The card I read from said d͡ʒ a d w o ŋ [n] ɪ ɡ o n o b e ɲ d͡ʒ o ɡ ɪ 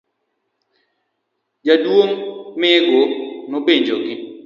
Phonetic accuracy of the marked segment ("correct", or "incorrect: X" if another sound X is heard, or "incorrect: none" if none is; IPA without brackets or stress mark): incorrect: m